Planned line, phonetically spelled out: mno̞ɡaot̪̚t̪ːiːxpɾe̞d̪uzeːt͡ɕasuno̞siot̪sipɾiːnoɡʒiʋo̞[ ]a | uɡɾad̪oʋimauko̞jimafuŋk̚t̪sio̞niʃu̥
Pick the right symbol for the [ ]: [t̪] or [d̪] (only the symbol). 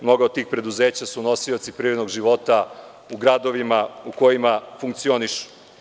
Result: t̪